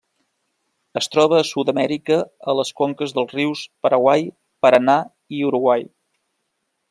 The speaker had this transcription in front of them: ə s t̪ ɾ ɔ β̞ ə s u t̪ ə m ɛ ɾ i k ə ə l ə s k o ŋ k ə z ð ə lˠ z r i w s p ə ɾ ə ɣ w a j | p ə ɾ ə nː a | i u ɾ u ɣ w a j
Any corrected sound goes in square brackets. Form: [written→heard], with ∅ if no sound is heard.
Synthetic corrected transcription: ə s t̪ ɾ ɔ β̞ [ə→əː] s u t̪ ə m ɛ ɾ i k ə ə l ə s k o ŋ k ə z ð ə lˠ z r i w s p ə ɾ ə ɣ w a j | p ə ɾ ə [nː→n] a | i u ɾ u ɣ w a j